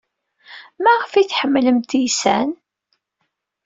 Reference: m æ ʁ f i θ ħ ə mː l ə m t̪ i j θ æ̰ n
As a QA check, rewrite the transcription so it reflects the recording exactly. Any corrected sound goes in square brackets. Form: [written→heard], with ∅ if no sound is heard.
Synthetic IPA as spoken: m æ ʁ f i θ ħ ə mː l ə m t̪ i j [θ→s] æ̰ n